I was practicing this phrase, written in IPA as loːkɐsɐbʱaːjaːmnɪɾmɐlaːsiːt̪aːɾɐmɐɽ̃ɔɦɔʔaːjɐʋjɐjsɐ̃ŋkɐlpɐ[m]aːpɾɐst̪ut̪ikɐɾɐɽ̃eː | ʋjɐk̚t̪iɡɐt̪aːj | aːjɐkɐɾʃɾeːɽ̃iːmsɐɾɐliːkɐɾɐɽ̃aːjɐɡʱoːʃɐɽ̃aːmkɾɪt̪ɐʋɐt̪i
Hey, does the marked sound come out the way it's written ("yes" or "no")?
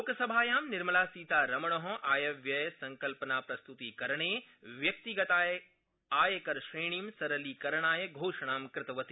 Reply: no